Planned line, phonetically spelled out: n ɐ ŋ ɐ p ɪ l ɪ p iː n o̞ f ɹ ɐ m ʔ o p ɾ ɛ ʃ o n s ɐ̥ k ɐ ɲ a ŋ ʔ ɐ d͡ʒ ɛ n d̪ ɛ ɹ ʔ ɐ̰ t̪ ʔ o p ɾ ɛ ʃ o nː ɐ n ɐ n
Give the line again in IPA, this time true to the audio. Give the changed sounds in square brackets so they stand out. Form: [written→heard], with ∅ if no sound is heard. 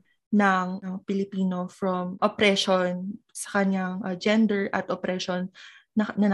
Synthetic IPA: n ɐ ŋ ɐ p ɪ l ɪ p iː n o̞ f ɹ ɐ m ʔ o p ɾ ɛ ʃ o n s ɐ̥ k ɐ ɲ a ŋ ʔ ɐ d͡ʒ ɛ n d̪ ɛ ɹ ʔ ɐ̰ t̪ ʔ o p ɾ ɛ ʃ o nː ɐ n ɐ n